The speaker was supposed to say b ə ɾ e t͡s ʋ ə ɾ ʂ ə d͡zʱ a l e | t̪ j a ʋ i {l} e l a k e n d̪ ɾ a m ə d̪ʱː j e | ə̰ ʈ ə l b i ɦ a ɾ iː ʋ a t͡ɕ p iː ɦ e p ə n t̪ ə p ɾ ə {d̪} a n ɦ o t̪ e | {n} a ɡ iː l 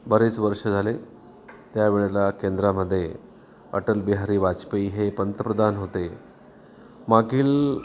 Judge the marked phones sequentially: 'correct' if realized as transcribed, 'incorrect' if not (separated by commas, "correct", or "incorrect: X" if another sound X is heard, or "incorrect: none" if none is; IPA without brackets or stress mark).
incorrect: ɭ, correct, incorrect: m